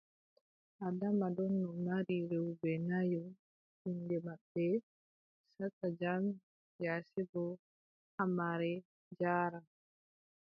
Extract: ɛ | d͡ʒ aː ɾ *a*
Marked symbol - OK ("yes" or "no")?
yes